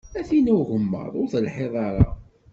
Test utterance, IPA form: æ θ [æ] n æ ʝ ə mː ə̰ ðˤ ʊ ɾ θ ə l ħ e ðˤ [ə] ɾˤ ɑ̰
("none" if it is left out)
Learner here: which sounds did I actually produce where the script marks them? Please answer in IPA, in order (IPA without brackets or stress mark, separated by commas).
i, ɑ